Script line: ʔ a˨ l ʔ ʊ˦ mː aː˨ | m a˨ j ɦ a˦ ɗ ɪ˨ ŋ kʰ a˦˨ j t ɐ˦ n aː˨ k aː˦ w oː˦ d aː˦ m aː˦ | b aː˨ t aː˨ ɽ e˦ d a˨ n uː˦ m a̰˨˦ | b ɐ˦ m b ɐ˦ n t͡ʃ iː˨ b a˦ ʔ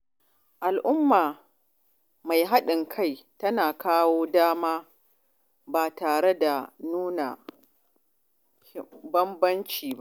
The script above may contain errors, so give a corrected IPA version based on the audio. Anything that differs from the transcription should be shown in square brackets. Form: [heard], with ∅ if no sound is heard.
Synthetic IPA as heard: ʔ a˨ l ʔ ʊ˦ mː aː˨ | m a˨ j ɦ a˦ ɗ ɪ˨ ŋ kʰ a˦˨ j t ɐ˦ n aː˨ k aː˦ w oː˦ d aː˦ m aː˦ | b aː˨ t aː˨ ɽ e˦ d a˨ n uː˦ [n] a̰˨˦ | b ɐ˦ m b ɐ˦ n t͡ʃ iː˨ b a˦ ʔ

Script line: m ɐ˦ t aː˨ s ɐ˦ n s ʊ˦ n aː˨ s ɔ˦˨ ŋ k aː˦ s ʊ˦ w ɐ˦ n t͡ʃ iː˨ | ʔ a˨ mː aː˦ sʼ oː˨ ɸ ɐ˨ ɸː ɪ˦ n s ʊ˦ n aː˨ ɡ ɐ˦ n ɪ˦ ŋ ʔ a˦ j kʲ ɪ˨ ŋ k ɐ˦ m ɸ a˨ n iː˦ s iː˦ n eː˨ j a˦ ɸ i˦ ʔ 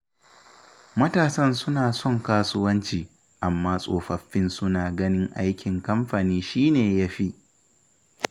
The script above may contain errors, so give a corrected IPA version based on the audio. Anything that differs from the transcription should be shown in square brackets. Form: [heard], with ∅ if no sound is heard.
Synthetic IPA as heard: m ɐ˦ t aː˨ s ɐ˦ n s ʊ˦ n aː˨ s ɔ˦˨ ŋ k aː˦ s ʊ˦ w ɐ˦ n t͡ʃ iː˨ | ʔ a˨ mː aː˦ sʼ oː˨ ɸ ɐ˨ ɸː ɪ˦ n s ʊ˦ n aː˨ ɡ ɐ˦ n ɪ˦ ŋ ʔ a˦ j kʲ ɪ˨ ŋ k ɐ˦ m ɸ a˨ n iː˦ [ʃ] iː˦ n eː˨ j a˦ ɸ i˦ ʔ

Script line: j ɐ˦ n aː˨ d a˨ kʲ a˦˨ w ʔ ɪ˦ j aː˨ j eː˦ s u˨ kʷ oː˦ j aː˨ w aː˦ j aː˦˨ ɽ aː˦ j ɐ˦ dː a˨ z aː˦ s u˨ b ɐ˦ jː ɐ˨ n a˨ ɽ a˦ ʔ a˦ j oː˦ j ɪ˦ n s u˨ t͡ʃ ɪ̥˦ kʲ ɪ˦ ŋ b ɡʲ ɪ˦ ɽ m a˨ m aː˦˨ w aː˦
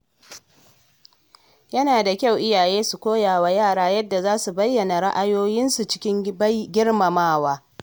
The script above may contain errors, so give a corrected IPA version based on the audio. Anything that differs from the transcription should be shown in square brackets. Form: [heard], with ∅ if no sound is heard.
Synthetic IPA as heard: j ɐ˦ n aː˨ d a˨ kʲ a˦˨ w ʔ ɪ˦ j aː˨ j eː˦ s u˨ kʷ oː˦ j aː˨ w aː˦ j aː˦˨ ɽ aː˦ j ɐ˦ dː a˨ z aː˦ s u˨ b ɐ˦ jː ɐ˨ n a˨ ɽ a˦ ʔ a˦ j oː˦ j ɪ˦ n s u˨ t͡ʃ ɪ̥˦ kʲ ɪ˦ ŋ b ɡʲ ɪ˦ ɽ m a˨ m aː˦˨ w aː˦

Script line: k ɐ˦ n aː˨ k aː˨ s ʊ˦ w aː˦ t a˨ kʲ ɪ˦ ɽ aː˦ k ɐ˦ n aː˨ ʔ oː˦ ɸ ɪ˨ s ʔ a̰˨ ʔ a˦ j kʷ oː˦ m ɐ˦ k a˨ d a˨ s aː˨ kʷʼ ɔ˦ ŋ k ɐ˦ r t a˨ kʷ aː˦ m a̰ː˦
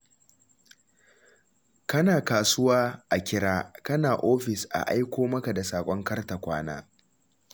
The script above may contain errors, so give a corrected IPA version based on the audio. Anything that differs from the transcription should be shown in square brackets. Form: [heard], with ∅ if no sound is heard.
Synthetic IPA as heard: k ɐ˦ n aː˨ k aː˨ s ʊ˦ w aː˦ [ʔ] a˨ kʲ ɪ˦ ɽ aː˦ k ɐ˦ n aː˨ ʔ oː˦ ɸ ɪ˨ s ʔ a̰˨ ʔ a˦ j kʷ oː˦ m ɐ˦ k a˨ d a˨ s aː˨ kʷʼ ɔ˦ ŋ k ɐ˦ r t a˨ kʷ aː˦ [n] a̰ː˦

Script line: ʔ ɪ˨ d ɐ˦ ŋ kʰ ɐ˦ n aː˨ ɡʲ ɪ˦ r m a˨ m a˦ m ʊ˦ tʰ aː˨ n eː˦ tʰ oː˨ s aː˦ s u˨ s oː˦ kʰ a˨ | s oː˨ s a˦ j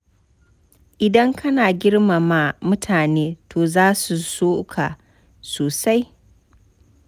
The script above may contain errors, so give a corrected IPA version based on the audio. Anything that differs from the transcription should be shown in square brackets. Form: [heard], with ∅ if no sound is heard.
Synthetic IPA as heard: ʔ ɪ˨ d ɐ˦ ŋ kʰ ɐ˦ n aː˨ ɡʲ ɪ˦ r m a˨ m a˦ m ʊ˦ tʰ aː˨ n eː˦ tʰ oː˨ [z] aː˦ s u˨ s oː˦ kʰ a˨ | s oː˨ s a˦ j

